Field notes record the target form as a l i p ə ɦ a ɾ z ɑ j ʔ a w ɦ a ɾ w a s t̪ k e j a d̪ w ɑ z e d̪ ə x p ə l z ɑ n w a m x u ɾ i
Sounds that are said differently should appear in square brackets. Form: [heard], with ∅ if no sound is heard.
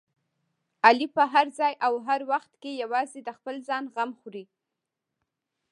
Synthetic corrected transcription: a l i p ə ɦ a ɾ z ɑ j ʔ a w ɦ a ɾ w a [x] t̪ k e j a [∅] w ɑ z e d̪ ə x p ə l z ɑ n [ɣ] a m x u ɾ i